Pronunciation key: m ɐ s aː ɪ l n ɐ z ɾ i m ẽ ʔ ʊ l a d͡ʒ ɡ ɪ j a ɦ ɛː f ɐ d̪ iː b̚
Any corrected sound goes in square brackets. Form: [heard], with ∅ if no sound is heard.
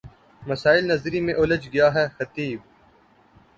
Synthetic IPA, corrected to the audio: m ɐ s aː ɪ l n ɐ z ɾ i m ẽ ʔ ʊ l [ə] d͡ʒ ɡ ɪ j a ɦ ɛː [x] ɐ [t̪] iː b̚

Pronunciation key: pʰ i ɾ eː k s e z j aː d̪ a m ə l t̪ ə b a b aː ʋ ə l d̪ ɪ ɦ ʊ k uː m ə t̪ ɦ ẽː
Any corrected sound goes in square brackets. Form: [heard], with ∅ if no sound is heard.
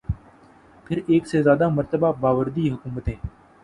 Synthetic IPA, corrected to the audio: pʰ [ɪ] ɾ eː k s e z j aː d̪ a m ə [ɾ] t̪ ə b a b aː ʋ ə [ɾ] d̪ [i] ɦ ʊ k uː m ə t̪ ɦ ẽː

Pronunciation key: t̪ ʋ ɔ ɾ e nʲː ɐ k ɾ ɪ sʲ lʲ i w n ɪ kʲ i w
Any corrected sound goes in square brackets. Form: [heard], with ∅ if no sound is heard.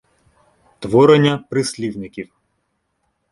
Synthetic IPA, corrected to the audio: t̪ ʋ ɔ ɾ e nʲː ɐ [p] ɾ ɪ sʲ lʲ i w n ɪ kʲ i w

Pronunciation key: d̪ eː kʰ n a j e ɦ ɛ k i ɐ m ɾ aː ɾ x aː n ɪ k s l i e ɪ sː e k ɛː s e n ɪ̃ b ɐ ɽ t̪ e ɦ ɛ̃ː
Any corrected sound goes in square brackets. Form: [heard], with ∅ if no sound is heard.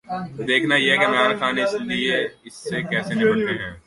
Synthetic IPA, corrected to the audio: d̪ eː kʰ n a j e ɦ ɛ k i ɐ m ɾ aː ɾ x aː n ɪ [∅] s l i e ɪ sː e k ɛː s e n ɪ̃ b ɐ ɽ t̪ e ɦ ɛ̃ː

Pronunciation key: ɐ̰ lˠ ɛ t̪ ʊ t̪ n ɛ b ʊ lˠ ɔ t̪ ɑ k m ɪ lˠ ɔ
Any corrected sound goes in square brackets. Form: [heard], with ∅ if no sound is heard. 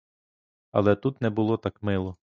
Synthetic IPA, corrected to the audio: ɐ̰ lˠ ɛ t̪ [u] t̪ n ɛ b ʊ lˠ ɔ t̪ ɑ k m ɪ lˠ ɔ

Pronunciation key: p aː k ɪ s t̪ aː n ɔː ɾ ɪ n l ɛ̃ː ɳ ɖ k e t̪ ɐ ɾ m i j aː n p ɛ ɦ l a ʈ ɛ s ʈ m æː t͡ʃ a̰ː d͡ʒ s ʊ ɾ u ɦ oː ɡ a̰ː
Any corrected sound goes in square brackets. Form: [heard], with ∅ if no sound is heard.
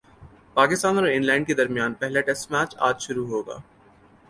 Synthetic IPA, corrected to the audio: p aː k ɪ s t̪ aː n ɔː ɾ ɪ n l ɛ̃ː ɳ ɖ k e [d̪] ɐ ɾ m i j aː n p ɛ ɦ l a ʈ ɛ s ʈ m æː t͡ʃ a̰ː d͡ʒ [ʃ] ʊ ɾ u ɦ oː ɡ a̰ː

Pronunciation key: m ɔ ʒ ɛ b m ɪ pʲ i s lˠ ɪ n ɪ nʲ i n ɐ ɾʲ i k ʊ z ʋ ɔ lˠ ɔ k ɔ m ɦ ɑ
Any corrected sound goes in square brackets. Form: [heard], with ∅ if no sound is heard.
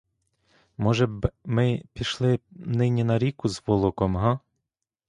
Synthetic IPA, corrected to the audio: m ɔ ʒ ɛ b m ɪ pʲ i [ʃ] lˠ ɪ n ɪ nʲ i n ɐ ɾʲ i k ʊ z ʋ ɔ lˠ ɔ k ɔ m ɦ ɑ

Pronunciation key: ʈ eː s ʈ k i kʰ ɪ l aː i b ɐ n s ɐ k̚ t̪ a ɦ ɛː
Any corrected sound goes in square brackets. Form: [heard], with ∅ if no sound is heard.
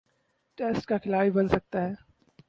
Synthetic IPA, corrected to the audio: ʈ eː s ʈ k [a] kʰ ɪ l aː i b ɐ n s ɐ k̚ t̪ a ɦ ɛː

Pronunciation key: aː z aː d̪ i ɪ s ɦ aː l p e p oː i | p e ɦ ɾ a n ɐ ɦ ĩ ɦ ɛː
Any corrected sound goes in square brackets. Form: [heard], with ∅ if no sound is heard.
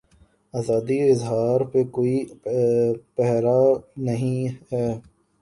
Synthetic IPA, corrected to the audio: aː z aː d̪ i ɪ [z] ɦ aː [ɾ] p e [k] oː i | p [ɛ] ɦ ɾ a n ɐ ɦ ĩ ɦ ɛː

